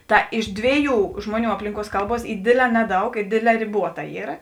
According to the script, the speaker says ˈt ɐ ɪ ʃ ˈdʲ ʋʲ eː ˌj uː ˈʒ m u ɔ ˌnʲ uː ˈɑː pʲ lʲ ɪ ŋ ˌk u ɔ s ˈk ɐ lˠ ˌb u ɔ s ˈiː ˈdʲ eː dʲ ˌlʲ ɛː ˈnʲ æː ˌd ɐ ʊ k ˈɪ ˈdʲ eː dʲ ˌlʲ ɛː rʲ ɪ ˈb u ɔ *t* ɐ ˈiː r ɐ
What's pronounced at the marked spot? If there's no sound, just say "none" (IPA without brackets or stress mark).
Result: t